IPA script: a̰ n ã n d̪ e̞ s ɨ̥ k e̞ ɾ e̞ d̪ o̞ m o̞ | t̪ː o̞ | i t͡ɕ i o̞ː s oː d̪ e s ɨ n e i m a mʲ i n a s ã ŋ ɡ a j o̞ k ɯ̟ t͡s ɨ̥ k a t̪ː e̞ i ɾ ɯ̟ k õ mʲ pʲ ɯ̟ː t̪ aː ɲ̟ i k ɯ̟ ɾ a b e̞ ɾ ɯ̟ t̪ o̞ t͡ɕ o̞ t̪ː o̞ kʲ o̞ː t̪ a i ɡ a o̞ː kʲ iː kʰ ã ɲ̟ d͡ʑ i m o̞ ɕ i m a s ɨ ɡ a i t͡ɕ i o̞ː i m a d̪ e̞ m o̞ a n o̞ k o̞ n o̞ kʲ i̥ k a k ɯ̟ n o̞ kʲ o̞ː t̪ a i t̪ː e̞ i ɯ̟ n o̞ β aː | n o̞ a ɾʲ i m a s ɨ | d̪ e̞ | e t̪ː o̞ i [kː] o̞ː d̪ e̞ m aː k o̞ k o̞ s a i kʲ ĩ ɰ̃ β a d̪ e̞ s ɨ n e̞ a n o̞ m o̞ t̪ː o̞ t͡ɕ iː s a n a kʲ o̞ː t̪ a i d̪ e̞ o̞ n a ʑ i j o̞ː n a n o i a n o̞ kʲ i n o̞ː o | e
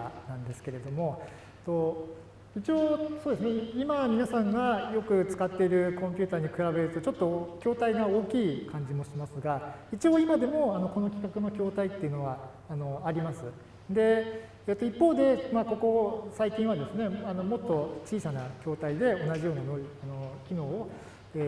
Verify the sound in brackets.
incorrect: pː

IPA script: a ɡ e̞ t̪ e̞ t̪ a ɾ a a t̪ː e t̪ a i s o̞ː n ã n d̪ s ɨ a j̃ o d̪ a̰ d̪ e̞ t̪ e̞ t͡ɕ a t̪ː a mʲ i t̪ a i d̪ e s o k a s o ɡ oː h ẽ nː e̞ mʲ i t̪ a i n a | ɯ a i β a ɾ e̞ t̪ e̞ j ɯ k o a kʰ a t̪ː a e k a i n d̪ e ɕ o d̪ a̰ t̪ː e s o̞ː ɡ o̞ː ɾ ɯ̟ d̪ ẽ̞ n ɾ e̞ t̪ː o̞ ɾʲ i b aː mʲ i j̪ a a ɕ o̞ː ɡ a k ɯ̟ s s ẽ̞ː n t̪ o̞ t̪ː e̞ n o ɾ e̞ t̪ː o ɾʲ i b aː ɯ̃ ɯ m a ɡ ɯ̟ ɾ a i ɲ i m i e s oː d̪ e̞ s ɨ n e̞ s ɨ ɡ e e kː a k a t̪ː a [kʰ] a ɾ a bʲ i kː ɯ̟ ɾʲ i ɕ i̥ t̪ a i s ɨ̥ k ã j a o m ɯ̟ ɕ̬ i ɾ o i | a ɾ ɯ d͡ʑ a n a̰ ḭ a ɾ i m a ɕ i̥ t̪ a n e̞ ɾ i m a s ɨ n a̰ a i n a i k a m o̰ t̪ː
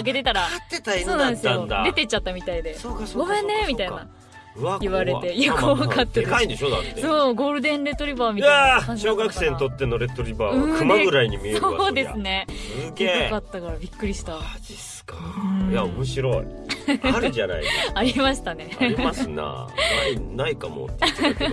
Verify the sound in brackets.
incorrect: k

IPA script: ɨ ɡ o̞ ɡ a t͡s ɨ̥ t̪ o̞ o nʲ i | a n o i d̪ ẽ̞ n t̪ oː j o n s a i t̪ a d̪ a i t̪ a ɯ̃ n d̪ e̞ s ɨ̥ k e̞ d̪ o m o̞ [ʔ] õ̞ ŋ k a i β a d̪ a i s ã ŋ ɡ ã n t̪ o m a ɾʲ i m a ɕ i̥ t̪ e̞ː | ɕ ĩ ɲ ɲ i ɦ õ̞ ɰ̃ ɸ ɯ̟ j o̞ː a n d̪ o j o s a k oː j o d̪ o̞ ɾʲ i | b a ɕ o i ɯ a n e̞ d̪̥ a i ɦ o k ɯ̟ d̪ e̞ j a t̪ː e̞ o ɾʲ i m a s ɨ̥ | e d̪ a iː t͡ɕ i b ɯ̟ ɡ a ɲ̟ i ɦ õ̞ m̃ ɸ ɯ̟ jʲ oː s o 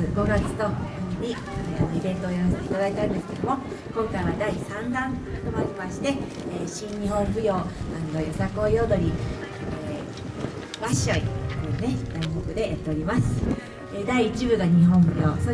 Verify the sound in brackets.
incorrect: k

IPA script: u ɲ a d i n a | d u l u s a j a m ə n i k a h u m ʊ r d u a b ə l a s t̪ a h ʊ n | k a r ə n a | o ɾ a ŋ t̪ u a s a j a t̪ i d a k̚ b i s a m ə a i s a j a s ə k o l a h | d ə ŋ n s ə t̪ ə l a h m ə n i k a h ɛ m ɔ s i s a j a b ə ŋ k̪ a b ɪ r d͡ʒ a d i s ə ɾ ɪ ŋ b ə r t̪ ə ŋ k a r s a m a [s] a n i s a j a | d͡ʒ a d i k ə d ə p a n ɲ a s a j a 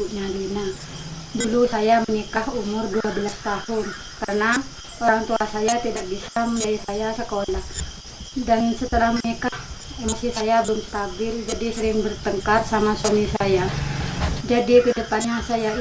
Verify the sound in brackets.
correct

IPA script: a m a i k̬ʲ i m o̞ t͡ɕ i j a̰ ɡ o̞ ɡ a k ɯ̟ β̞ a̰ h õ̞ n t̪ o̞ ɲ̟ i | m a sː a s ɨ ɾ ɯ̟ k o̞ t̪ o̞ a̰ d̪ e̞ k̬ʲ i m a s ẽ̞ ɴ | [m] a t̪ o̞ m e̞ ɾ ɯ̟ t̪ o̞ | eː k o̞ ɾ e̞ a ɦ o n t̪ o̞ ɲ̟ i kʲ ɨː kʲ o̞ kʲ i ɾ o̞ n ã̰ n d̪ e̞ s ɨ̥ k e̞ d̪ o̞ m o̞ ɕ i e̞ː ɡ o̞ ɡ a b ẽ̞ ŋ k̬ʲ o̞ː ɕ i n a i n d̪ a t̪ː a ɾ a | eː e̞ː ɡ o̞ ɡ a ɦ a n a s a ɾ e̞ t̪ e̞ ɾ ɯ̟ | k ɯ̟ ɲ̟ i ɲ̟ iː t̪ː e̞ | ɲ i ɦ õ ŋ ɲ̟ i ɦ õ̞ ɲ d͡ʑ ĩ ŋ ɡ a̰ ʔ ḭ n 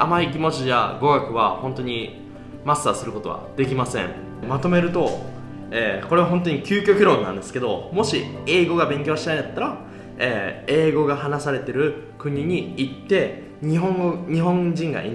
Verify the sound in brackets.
correct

